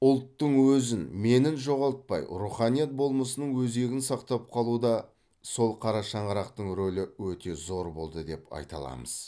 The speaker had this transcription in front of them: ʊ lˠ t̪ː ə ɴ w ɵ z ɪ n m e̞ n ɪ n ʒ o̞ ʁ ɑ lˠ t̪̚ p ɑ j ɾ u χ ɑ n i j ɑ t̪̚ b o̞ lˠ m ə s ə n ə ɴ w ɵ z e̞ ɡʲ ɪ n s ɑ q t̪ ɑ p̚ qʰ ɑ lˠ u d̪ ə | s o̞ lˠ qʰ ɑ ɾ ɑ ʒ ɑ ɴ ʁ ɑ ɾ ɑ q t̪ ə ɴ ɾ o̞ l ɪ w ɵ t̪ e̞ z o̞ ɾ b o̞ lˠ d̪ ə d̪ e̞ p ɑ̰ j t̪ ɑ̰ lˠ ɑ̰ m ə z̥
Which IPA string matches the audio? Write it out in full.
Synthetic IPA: ʊ lˠ t̪ː ə ɴ w ɵ z ɪ n m e̞ n ɪ n ʒ o̞ ʁ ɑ lˠ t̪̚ p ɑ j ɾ u χ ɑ n i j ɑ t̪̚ b o̞ lˠ m ə s ə n ə ɴ w ɵ z e̞ ɡʲ ɪ n s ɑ q t̪ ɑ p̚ qʰ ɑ lˠ u d̪ ɑ | s o̞ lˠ qʰ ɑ ɾ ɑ ʃ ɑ ɴ ʁ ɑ ɾ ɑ q t̪ ə ɴ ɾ o̞ l ɪ w ɵ t̪ e̞ z o̞ ɾ b o̞ lˠ d̪ ə d̪ e̞ p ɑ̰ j t̪ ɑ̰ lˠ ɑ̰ m ə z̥